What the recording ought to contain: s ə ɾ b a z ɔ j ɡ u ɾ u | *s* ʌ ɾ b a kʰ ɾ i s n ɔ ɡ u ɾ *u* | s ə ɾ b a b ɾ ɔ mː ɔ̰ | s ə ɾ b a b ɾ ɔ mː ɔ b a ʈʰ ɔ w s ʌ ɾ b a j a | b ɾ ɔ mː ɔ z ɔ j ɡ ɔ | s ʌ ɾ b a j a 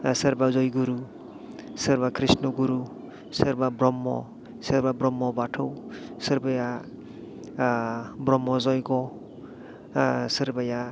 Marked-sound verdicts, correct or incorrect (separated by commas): correct, correct